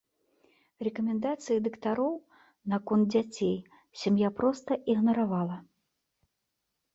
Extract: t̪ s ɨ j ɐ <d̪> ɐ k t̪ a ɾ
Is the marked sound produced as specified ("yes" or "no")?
yes